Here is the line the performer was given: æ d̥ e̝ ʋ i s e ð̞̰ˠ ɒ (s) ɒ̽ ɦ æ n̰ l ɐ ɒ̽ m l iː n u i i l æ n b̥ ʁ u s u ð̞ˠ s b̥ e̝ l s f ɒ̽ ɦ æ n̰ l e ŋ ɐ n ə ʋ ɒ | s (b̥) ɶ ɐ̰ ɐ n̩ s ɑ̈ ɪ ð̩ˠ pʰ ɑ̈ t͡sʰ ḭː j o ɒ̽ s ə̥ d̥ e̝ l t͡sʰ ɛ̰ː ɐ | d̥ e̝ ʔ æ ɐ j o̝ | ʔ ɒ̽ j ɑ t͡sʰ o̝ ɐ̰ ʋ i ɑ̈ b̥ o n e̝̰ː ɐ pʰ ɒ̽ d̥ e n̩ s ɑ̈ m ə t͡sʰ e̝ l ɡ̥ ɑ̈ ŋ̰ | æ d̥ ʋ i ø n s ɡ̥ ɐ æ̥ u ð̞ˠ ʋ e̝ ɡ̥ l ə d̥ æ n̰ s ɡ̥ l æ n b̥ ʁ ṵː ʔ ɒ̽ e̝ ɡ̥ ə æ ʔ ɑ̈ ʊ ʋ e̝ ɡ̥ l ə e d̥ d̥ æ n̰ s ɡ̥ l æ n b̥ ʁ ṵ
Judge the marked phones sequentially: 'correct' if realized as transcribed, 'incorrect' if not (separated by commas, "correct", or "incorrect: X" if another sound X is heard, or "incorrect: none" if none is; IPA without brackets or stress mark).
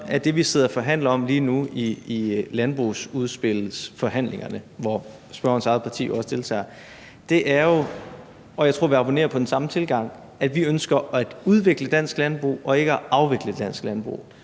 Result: incorrect: f, correct